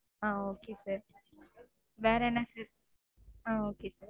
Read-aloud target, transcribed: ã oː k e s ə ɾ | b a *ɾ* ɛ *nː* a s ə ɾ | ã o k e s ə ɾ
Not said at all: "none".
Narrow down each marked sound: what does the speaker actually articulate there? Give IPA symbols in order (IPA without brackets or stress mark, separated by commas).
ɾ, n